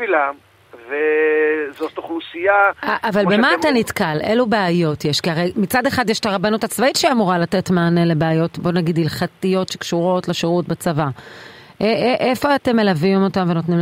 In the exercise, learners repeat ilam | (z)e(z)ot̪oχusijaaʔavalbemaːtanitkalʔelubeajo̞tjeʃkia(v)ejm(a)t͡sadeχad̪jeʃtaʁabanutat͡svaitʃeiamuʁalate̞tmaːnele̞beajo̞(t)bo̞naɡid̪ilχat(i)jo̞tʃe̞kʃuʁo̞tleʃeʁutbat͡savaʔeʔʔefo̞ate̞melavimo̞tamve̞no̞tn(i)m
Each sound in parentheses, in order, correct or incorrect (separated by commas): incorrect, correct, incorrect, incorrect, correct, correct, correct